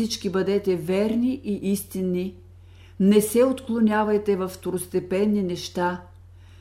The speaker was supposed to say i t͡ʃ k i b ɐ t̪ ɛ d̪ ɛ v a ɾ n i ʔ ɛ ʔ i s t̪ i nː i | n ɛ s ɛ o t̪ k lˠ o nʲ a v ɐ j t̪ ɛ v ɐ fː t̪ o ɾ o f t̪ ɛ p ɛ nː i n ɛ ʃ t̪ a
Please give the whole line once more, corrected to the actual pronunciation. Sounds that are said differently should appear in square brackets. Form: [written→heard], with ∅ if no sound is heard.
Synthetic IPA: i t͡ʃ k i b ɐ [t̪→d̪] ɛ [d̪→t̪] ɛ v [a→ɛ] ɾ n i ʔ [ɛ→i] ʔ i s t̪ i nː i | n ɛ s ɛ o t̪ k lˠ o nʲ a v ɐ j t̪ ɛ v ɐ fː t̪ o ɾ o [f→s] t̪ ɛ p ɛ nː i n ɛ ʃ t̪ a